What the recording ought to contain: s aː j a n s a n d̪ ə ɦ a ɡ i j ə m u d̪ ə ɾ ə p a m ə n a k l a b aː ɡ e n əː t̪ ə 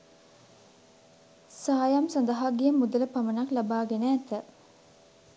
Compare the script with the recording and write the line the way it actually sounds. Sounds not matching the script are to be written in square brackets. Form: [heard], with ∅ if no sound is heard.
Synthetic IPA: s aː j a [m] s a n d̪ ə ɦ a ɡ i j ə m u d̪ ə [l] ə p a m ə n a k l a b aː ɡ e n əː t̪ ə